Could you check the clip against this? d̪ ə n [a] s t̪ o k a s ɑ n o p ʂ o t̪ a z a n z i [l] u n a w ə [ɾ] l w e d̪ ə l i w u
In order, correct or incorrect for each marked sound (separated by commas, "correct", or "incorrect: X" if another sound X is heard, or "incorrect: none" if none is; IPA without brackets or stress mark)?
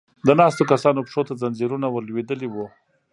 incorrect: ɑ, incorrect: ɾ, correct